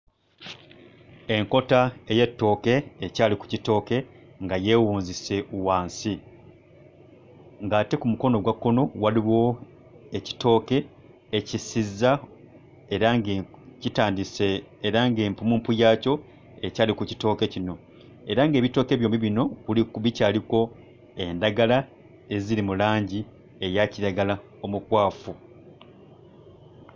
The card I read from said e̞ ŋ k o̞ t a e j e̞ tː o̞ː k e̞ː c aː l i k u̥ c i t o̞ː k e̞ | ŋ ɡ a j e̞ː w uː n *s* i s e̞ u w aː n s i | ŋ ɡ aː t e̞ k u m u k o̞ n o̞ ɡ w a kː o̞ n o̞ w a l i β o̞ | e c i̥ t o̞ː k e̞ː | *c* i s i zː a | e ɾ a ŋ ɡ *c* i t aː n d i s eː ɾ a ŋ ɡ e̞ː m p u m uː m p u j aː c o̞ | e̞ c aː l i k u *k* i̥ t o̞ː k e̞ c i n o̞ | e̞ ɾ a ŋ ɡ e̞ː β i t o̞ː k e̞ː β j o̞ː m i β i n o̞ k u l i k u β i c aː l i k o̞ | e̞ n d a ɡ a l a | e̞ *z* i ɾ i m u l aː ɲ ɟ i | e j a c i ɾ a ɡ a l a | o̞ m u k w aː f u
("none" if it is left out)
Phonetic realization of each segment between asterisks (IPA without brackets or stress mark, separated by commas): z, c, c, c, z